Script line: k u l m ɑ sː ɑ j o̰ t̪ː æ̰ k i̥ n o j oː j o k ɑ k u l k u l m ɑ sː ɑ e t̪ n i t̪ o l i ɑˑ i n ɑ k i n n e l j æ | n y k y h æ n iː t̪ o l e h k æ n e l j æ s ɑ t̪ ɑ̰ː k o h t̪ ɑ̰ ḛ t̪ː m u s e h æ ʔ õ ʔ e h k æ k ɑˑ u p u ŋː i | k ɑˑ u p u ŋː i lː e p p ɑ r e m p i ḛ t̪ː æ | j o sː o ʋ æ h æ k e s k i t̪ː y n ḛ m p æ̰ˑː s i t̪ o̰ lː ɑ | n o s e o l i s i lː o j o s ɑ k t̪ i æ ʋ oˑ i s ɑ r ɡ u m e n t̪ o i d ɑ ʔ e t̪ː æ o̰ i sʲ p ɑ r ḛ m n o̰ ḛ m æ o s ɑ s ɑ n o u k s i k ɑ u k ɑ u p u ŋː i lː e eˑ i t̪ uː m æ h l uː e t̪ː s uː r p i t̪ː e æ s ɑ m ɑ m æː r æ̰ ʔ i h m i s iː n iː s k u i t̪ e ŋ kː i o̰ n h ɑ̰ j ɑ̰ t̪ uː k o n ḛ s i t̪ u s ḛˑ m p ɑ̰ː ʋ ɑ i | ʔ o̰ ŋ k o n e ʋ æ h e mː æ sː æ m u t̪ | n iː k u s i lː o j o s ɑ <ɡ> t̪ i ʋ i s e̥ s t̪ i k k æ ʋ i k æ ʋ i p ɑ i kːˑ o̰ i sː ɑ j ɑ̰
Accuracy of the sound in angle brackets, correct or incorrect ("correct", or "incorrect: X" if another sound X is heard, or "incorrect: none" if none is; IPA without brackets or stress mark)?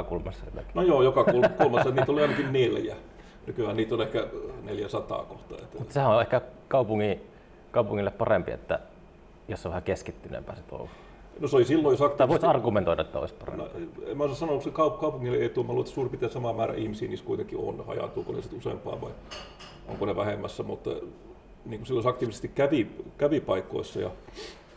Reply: incorrect: k